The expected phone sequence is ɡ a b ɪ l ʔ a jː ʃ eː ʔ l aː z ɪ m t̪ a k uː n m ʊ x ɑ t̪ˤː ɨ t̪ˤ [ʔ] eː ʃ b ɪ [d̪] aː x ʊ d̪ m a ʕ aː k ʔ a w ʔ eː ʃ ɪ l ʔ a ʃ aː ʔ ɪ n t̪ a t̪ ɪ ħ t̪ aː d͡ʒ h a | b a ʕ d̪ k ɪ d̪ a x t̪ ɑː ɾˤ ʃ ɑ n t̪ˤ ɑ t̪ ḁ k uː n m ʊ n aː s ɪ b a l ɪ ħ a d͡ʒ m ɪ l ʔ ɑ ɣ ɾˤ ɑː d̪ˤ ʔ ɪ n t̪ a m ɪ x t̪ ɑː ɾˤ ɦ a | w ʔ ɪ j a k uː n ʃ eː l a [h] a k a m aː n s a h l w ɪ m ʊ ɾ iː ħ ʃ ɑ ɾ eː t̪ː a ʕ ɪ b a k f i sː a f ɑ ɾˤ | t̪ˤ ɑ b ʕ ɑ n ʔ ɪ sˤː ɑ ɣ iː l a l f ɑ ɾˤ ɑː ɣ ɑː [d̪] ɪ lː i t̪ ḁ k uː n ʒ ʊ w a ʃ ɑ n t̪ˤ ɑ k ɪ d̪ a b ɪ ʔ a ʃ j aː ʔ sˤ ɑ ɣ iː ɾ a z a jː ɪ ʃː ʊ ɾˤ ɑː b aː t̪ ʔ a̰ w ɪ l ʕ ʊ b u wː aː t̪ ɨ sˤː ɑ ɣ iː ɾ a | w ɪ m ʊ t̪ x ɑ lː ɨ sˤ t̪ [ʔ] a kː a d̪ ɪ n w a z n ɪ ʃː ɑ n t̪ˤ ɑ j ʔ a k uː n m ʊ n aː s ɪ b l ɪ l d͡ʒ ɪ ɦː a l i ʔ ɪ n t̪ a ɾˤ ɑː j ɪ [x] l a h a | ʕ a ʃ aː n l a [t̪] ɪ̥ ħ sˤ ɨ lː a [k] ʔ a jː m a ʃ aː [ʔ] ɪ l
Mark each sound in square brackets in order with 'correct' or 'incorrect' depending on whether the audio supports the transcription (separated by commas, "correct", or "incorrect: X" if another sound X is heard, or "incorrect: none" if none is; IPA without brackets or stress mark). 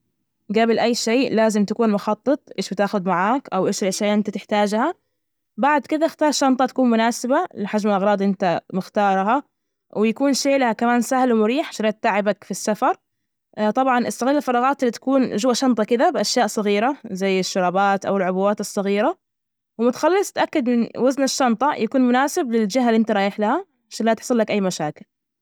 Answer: correct, incorrect: t̪, correct, incorrect: t̪, correct, incorrect: ħ, correct, correct, incorrect: k